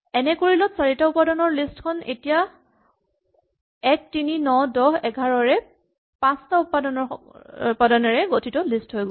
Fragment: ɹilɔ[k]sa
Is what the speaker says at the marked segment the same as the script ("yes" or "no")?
no